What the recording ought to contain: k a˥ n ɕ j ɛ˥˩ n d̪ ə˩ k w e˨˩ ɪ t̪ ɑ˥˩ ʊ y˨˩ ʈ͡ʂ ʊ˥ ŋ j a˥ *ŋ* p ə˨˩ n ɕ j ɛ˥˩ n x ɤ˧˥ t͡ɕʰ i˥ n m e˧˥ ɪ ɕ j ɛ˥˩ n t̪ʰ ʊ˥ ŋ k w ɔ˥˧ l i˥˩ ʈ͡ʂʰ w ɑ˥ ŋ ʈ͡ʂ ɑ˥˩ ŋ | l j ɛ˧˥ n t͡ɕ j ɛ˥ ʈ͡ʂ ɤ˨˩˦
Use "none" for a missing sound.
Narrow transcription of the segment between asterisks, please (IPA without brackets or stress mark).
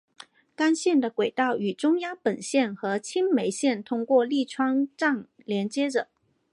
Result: ŋ